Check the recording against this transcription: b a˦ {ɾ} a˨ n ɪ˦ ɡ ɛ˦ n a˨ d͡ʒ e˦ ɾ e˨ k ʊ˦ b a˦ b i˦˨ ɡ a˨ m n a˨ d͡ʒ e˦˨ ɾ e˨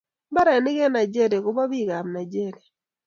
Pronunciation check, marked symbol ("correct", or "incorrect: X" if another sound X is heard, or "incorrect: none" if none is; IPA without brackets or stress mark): correct